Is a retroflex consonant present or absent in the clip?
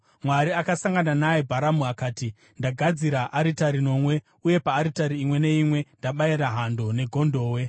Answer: absent